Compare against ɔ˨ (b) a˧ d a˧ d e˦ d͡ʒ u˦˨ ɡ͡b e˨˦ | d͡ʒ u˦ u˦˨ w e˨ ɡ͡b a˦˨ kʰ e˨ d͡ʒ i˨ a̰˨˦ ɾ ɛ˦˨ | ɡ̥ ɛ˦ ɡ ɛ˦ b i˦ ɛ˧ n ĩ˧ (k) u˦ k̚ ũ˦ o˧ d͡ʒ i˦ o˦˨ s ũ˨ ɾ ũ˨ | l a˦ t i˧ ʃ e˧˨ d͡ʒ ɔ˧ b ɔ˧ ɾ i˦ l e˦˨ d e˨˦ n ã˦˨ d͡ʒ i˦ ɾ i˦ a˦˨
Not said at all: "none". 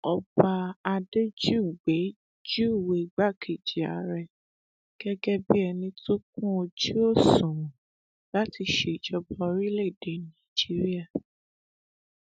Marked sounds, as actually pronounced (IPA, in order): b, t

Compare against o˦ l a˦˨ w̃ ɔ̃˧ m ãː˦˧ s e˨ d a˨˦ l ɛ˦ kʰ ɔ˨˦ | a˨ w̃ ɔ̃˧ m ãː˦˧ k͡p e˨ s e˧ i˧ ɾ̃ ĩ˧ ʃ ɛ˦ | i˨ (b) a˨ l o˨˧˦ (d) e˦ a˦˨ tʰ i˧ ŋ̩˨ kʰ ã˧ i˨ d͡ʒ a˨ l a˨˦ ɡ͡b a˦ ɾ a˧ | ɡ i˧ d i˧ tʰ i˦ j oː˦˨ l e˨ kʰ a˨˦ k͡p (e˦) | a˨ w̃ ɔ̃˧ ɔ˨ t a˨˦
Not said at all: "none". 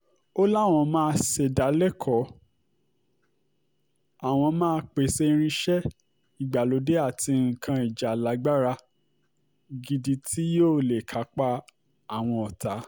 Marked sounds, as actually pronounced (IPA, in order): ɡ͡b, d, a˦

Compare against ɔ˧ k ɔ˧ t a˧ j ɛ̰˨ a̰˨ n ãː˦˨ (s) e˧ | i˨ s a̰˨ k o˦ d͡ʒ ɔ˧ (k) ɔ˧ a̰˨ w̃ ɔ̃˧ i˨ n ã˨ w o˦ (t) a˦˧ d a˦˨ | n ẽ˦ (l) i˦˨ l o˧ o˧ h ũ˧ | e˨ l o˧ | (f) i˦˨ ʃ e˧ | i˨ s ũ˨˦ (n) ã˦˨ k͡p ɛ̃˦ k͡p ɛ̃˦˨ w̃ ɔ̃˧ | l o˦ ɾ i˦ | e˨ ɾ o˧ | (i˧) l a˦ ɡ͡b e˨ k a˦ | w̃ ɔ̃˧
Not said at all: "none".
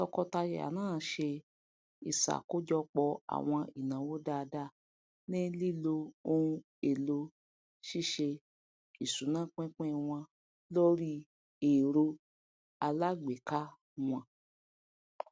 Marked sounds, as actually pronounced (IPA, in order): ʃ, k͡p, d, l, ʃ, n, a˧

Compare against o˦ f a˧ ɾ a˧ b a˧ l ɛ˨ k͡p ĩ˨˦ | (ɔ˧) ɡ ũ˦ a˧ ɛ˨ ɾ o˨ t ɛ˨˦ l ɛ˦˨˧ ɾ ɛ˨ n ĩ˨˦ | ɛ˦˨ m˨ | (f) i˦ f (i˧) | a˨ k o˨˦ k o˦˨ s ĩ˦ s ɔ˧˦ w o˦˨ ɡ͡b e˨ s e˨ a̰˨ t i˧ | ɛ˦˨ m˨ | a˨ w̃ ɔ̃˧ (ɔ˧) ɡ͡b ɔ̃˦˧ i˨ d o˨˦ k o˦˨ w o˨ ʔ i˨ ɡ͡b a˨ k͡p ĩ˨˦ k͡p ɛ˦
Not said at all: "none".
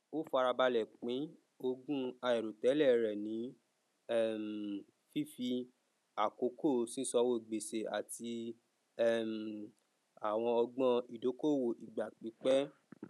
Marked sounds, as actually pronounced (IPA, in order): o˧, f, i˧, ɔ˧

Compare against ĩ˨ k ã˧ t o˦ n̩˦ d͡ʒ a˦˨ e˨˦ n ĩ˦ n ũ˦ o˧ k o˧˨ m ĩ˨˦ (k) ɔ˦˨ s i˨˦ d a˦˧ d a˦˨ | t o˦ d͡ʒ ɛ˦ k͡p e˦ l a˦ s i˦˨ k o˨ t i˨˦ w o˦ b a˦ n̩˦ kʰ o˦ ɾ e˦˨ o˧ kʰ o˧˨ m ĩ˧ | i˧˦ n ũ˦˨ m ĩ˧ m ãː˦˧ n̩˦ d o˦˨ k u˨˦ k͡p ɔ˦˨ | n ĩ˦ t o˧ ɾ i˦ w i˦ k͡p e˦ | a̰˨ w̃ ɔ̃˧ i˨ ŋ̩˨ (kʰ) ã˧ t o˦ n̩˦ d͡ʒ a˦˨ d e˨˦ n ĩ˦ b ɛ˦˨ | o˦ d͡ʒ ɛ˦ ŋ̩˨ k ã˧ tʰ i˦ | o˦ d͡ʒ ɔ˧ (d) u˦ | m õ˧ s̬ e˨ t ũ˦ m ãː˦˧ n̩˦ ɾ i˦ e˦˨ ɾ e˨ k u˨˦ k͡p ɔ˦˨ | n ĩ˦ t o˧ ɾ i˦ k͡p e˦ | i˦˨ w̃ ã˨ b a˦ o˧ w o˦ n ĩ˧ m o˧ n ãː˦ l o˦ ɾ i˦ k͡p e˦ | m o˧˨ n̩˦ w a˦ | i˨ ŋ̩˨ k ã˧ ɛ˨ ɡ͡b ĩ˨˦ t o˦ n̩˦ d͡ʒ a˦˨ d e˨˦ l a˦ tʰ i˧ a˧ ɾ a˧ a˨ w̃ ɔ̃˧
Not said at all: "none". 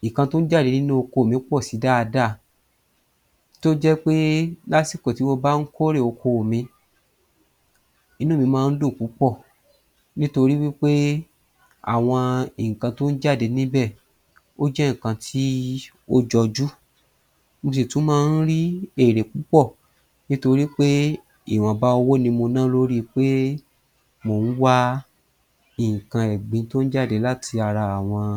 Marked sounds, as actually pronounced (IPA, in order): k͡p, k, d͡ʒ

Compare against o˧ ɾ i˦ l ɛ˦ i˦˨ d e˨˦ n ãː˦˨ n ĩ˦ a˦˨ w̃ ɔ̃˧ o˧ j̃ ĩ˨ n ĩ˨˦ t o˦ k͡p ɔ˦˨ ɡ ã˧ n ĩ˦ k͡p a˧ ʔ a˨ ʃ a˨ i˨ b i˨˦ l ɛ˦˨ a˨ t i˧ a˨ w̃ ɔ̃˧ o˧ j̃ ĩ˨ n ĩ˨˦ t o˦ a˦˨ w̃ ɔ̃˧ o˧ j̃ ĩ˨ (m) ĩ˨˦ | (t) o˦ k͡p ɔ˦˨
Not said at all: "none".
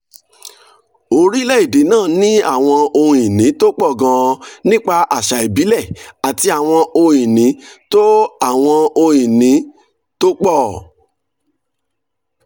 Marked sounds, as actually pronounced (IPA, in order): n, t

